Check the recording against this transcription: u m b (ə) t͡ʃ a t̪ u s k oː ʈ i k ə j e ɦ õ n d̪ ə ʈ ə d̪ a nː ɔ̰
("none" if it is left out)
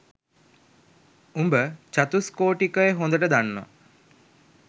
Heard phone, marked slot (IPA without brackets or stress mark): ə